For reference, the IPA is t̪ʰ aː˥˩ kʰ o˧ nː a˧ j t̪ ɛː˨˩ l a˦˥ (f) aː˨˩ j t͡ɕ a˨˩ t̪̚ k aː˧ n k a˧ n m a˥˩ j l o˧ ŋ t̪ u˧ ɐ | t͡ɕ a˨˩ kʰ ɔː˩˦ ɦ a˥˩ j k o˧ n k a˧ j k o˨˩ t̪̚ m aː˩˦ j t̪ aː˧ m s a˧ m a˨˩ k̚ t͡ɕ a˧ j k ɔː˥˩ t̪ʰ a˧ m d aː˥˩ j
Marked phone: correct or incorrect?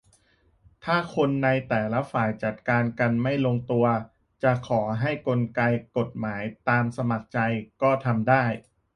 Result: correct